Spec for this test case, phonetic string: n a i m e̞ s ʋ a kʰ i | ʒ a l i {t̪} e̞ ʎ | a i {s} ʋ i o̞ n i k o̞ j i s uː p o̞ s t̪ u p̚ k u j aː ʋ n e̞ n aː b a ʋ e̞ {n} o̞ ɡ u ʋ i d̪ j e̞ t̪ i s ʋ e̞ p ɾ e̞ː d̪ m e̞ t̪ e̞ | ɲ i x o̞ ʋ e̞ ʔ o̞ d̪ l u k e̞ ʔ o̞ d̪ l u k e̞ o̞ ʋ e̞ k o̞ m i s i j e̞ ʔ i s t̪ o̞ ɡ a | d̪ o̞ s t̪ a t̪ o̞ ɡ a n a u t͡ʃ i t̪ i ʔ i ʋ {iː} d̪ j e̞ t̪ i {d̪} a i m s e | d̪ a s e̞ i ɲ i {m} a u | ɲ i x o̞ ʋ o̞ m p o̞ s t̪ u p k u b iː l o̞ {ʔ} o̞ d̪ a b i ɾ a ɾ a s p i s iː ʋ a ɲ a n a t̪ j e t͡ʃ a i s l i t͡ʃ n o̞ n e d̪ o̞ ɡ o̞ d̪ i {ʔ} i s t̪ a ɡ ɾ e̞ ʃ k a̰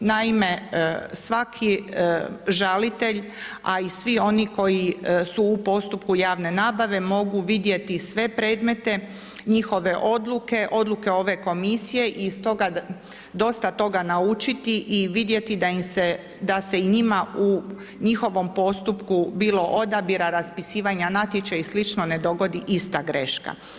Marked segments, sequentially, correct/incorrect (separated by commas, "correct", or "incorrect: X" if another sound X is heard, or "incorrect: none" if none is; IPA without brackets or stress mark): correct, correct, incorrect: m, incorrect: i, correct, correct, correct, correct